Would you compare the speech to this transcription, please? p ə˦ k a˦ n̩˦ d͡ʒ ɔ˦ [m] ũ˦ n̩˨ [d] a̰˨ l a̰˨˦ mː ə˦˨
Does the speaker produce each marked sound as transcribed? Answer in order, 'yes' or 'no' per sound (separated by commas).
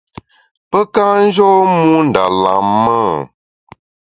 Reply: yes, yes